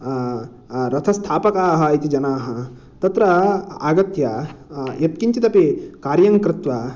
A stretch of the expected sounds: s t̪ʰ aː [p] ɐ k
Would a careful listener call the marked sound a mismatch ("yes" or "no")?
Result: no